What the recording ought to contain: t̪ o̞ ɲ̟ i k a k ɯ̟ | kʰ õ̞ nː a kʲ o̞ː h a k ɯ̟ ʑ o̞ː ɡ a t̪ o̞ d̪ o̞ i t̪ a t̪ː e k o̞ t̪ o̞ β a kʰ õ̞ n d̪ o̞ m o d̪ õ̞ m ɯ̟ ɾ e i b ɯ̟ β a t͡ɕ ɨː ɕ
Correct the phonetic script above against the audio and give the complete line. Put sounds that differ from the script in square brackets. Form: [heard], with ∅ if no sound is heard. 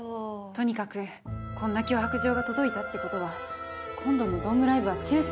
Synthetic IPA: t̪ o̞ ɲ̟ i k a k ɯ̟ | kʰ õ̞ nː a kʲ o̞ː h a k ɯ̟ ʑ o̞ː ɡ a t̪ o̞ d̪ o̞ i t̪ a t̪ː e k o̞ t̪ o̞ β a kʰ õ̞ n d̪ o̞ [n] o d̪ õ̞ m ɯ̟ ɾ [a] i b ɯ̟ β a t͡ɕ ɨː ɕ